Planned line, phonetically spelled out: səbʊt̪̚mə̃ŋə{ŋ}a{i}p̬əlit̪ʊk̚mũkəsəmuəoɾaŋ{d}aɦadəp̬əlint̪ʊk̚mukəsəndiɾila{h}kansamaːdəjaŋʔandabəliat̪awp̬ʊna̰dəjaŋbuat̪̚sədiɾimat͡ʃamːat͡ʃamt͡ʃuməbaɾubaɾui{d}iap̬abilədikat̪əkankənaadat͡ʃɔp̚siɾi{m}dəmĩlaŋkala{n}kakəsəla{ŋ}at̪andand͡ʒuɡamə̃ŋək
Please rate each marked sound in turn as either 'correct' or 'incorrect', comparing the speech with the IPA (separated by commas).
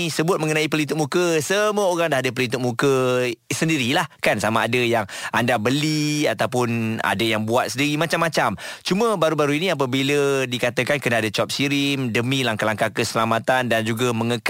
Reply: incorrect, correct, correct, correct, incorrect, correct, incorrect, incorrect